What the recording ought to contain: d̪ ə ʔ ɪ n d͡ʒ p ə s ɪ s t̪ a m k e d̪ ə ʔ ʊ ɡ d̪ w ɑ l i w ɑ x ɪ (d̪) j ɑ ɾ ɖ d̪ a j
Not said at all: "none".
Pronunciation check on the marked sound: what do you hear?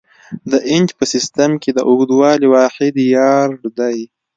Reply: d̪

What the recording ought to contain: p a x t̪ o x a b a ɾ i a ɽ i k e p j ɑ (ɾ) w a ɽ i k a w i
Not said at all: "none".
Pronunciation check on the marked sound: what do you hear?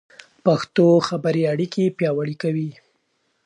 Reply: none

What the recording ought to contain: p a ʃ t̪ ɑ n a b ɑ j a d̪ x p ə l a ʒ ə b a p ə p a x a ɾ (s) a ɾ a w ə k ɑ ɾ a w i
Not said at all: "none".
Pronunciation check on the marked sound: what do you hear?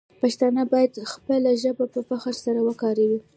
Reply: s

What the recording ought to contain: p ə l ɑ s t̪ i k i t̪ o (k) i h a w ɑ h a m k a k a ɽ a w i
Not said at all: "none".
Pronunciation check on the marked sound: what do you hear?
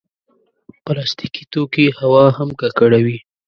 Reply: k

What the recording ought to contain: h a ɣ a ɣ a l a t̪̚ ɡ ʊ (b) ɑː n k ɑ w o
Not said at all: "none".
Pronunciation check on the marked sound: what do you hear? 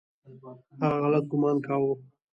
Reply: m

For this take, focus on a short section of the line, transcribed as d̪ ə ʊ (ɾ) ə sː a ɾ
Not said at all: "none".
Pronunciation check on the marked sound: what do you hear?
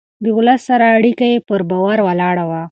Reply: l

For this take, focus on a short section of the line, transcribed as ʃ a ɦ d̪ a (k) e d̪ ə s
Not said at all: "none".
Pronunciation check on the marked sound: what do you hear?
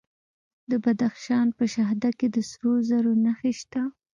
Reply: k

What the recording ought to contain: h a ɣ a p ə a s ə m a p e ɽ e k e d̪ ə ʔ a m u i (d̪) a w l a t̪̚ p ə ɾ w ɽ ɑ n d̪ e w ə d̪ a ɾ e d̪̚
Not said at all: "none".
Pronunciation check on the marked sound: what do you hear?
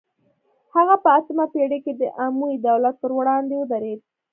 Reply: d̪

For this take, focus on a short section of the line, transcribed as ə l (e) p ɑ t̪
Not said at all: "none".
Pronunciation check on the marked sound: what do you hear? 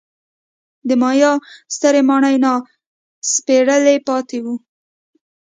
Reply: e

